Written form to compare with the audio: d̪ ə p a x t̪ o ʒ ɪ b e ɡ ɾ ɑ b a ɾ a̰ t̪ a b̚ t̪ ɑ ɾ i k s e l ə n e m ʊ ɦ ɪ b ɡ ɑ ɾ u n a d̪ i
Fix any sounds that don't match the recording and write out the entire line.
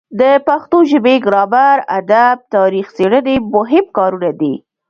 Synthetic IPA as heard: d̪ ə p a x t̪ o ʒ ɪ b e ɡ ɾ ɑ b a ɾ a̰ d̪ a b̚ t̪ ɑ ɾ i x s e ɽ ə n e m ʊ ɦ ɪ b k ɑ ɾ u n a d̪ i